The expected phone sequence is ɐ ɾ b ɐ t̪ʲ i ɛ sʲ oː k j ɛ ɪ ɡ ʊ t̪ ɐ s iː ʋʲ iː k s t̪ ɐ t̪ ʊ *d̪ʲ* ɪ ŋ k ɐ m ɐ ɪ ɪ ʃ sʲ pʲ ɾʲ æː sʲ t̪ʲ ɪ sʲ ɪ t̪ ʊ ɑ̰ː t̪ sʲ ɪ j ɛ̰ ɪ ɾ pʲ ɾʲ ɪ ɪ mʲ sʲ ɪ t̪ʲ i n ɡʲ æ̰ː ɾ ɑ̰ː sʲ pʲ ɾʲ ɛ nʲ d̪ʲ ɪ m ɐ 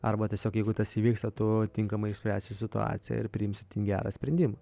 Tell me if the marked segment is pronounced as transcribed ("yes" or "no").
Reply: no